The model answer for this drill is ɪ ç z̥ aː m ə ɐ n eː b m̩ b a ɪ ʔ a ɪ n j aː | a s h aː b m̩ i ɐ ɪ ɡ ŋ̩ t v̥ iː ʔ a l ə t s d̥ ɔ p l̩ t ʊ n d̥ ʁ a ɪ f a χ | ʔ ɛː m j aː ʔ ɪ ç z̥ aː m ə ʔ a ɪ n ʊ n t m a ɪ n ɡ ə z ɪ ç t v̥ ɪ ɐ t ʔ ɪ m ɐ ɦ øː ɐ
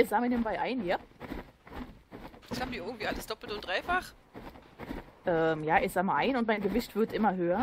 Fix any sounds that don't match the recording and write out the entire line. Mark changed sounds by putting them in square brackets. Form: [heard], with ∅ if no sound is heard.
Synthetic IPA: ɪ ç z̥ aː m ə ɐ n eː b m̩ b a ɪ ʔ a ɪ n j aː | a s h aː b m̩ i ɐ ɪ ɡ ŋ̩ t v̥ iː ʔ a l ə [∅] s d̥ ɔ p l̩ t ʊ n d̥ ʁ a ɪ f a χ | ʔ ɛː m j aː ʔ ɪ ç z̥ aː m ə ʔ a ɪ n ʊ n t m a ɪ n ɡ ə [v] ɪ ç t v̥ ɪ ɐ t ʔ ɪ m ɐ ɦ øː ɐ